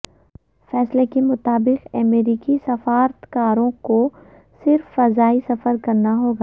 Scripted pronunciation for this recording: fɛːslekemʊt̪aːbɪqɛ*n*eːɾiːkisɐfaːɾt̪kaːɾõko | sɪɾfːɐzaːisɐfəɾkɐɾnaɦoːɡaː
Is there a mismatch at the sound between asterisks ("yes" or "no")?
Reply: yes